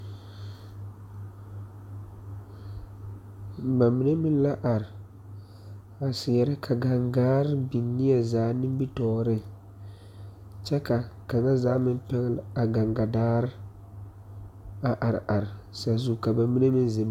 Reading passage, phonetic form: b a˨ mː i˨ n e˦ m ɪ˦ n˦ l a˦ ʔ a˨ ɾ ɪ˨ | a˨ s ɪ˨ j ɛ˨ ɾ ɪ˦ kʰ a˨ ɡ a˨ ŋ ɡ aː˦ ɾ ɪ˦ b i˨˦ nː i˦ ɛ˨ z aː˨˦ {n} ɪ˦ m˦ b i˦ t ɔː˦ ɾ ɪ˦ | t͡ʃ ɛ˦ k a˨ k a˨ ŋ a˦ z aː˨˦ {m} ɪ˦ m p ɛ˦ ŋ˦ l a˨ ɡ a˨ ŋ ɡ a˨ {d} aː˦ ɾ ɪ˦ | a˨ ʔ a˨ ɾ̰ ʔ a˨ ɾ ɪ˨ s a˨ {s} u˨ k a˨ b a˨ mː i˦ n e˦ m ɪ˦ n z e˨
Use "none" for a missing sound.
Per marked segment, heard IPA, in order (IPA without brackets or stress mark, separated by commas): n, m, d, z